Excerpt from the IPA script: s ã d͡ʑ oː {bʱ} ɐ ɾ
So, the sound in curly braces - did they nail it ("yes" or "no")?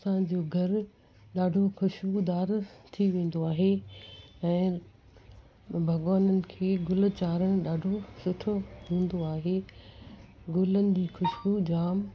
no